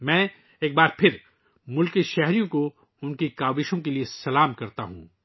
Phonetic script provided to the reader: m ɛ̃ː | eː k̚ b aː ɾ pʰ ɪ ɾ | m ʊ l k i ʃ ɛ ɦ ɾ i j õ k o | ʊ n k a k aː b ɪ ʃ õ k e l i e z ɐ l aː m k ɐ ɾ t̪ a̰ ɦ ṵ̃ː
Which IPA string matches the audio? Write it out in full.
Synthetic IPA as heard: m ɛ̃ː | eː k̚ b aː ɾ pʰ ɪ ɾ | m ʊ l k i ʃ ɛ ɦ ɾ i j õ k o | ʊ n k i k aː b ɪ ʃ õ k e l i e s ɐ l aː m k ɐ ɾ t̪ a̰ ɦ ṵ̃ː

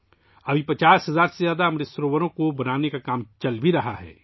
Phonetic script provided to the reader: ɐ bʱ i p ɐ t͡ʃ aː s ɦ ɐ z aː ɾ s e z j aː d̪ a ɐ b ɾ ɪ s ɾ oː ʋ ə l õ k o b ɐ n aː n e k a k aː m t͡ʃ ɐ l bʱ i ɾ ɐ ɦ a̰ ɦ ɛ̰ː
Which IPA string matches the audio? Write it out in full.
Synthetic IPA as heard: ɐ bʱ i p ɐ t͡ʃ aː s ɦ ɐ z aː ɾ s e z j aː d̪ a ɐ m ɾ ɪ s ɾ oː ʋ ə ɾ õ k o b ɐ n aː n e k a k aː m t͡ʃ ɐ l bʱ i ɾ ɐ ɦ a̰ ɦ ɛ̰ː

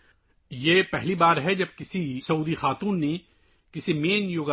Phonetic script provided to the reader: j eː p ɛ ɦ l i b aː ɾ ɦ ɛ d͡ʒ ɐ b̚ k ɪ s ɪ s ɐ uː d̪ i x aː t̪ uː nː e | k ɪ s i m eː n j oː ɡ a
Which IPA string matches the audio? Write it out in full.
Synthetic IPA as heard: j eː p ɛ ɦ l i b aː ɾ ɦ ɛ d͡ʒ ɐ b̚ k ɪ s i s ɐ uː d̪ i x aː t̪ uː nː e | k ɪ s i m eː n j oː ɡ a

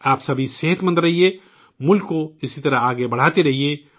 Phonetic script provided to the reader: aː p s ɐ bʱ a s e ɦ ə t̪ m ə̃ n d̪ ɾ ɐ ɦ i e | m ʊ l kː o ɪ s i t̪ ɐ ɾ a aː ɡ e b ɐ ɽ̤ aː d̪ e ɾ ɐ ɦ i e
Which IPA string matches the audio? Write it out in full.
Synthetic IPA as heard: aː p s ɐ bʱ i s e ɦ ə t̪ m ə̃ n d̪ ɾ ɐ ɦ i e | m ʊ l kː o ɪ s i t̪ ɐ ɾ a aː ɡ e b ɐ ɽ̤ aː t̪ e ɾ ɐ ɦ i e

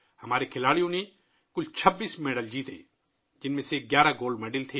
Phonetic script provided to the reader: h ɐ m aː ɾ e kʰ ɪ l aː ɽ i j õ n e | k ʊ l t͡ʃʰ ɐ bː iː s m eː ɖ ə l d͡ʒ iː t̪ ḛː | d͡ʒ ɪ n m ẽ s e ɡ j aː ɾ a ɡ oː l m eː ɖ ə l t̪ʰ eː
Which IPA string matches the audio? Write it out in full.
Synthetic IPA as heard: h ɐ m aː ɾ e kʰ ɪ l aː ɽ i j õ n e | k ʊ l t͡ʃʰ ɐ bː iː s m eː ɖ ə l d͡ʒ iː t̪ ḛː | d͡ʒ ɪ n m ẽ s e ɡ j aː ɾ a ɡ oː l m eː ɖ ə l t̪ʰ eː

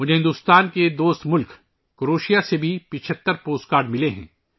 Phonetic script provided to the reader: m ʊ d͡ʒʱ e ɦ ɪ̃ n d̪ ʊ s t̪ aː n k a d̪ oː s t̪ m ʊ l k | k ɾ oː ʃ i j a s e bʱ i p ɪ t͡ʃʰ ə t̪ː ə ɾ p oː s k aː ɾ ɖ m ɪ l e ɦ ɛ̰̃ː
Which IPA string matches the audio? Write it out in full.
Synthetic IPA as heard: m ʊ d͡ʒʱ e ɦ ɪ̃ n d̪ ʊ s t̪ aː n k e d̪ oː s t̪ m ʊ l k | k ɾ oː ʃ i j a s e bʱ i p ɪ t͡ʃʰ ə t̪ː ə ɾ p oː s k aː ɾ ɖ m ɪ l e ɦ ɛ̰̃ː

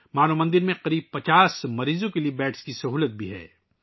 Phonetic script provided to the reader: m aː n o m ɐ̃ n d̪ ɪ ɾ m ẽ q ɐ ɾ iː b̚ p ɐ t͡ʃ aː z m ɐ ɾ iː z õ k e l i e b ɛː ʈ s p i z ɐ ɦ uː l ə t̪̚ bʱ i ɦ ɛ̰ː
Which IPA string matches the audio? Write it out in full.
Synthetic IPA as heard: m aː n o m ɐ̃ n d̪ ɪ ɾ m ẽ q ɐ ɾ iː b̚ p ɐ t͡ʃ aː s m ɐ ɾ iː z õ k e l i e b ɛː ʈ s k i s ɐ ɦ uː l ə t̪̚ bʱ i ɦ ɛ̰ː

